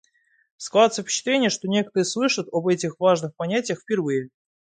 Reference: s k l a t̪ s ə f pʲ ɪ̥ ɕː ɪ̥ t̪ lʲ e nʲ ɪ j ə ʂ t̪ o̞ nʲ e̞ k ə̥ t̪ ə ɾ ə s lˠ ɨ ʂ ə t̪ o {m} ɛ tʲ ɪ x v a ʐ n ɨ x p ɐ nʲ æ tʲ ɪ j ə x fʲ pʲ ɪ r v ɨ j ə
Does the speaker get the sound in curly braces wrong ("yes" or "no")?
yes